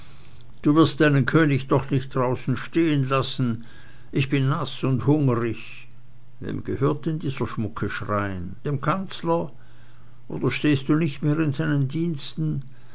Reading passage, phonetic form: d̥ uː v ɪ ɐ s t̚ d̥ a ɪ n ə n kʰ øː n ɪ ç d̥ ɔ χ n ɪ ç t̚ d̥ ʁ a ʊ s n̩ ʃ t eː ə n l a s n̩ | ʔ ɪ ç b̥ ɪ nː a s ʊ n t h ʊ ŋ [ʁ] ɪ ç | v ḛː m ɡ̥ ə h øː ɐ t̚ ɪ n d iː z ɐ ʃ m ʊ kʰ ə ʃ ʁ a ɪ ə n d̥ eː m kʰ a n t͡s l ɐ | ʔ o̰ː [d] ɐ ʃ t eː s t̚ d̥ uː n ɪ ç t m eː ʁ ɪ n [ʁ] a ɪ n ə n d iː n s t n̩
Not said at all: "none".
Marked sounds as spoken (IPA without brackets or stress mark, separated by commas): ʁ, d, z